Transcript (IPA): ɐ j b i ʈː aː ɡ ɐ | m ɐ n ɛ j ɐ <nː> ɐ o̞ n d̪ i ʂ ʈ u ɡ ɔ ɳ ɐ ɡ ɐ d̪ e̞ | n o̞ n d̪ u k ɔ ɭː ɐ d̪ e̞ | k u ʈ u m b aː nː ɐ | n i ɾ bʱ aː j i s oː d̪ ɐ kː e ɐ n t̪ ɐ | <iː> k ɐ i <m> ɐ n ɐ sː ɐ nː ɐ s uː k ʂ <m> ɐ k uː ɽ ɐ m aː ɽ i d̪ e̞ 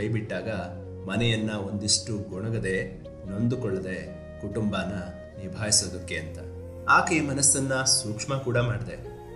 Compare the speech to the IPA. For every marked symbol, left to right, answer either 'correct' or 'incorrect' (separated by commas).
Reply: correct, incorrect, correct, correct